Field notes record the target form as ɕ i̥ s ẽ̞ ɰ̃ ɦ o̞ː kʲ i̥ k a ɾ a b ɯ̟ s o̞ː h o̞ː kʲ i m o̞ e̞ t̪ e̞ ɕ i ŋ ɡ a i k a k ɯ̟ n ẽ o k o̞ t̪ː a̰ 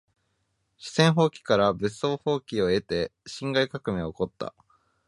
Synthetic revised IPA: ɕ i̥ s ẽ̞ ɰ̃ ɦ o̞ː kʲ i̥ k a ɾ a b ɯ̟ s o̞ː h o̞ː kʲ i o̞ e̞ t̪ e̞ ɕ ĩ ŋ ɡ a i k a k ɯ̟ m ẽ o k o̞ t̪ː a̰